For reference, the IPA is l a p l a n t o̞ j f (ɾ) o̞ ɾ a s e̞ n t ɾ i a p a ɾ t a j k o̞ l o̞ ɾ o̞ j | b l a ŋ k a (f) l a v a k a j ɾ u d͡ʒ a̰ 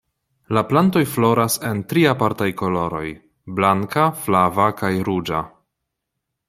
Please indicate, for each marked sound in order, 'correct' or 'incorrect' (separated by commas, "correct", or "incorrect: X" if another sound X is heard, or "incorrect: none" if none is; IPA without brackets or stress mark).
incorrect: l, correct